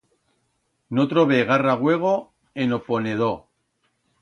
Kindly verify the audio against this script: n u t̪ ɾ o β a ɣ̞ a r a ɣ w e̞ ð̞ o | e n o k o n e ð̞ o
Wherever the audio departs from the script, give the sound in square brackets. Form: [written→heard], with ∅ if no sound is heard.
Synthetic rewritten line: n [u→o] t̪ ɾ o β [a→e] ɣ̞ a r a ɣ w e̞ [ð̞→ɣ̞] o | e n o [k→p] o n e ð̞ o